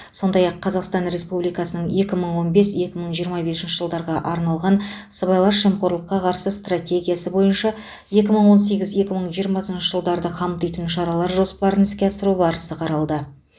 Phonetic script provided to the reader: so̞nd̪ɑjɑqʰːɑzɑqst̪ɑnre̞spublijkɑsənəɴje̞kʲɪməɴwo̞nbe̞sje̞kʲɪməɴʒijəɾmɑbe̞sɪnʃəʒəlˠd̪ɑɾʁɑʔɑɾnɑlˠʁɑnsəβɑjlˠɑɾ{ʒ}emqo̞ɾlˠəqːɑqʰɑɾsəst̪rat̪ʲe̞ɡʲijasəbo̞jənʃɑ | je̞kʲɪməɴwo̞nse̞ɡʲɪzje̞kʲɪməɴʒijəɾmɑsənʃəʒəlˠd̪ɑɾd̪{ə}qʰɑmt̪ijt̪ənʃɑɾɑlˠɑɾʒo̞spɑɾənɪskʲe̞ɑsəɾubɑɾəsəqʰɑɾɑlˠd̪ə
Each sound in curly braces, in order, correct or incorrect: incorrect: ʃ, correct

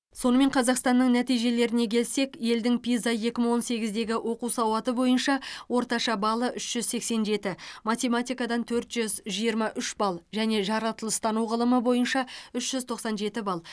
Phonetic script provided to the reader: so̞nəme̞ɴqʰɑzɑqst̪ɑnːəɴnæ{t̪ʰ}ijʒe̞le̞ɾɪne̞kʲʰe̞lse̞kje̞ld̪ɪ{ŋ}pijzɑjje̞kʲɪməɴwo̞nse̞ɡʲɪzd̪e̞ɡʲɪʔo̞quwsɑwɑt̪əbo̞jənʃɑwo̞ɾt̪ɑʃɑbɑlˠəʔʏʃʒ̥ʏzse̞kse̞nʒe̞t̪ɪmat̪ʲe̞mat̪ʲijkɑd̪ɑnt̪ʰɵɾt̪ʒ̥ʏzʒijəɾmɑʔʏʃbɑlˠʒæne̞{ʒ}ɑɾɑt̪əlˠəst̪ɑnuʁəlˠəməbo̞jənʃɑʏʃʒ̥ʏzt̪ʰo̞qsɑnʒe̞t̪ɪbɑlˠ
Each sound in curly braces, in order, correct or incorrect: incorrect: t̪, correct, correct

